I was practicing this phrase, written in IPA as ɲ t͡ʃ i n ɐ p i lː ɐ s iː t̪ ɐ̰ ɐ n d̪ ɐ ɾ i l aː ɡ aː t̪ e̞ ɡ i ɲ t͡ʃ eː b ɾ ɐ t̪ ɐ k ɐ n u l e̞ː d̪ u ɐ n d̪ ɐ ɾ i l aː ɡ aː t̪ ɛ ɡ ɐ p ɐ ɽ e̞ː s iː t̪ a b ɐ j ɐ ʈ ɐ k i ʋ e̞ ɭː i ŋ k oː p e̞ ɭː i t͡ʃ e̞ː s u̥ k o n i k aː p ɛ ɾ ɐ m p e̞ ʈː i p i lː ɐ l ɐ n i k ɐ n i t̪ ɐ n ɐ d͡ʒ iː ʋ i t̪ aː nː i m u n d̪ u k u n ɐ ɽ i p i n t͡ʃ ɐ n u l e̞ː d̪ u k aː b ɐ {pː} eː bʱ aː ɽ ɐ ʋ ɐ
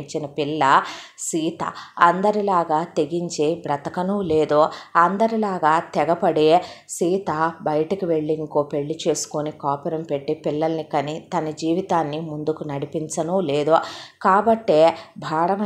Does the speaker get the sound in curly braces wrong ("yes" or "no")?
yes